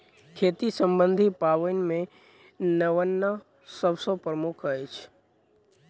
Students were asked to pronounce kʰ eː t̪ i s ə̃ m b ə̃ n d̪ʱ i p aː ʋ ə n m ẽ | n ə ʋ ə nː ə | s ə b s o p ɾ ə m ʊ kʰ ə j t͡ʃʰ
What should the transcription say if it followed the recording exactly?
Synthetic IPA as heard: kʰ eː t̪ i s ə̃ m b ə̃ n d̪ʱ i p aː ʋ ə n m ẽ | n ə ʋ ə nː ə | s ə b s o p ɾ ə m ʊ kʰ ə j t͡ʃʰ